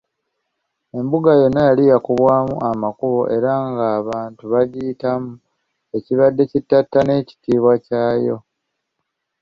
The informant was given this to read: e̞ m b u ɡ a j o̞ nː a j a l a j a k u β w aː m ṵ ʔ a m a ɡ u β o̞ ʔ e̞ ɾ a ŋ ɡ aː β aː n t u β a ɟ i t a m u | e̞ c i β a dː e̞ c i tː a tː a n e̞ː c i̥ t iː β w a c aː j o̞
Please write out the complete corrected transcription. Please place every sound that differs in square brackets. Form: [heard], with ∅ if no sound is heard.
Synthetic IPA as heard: e̞ m b u ɡ a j o̞ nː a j a l [i] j a k u β w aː m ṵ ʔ a m a [k] u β o̞ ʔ e̞ ɾ a ŋ ɡ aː β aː n t u β a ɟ i t a m u | e̞ c i β a dː e̞ c i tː a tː a n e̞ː c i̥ t iː β w a c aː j o̞